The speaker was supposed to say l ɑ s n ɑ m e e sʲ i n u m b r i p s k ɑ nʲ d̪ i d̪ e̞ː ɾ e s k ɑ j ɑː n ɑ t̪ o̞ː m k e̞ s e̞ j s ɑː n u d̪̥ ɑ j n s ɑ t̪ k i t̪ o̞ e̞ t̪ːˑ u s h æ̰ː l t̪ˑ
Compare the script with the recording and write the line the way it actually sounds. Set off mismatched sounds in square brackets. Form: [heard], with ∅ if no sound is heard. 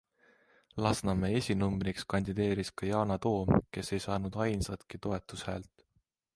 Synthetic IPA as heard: l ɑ s n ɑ m e e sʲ i n u m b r i [k] s k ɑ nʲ d̪ i d̪ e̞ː ɾ [i] s k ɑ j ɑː n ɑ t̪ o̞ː m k e̞ s e̞ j s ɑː n u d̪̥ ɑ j n s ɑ t̪ k i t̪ o̞ e̞ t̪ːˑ u s h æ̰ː l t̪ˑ